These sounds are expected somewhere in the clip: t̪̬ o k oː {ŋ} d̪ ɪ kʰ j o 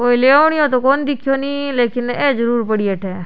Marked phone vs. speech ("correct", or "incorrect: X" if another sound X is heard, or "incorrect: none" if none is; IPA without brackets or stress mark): incorrect: n